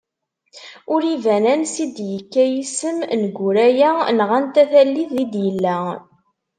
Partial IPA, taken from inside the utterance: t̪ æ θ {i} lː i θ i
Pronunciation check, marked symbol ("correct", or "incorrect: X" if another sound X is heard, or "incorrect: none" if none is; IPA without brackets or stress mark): incorrect: æ